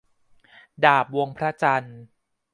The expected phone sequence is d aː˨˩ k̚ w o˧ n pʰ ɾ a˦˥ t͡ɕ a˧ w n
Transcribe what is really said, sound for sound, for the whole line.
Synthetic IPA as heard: d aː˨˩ p̚ w o˧ ŋ pʰ ɾ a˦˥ t͡ɕ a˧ n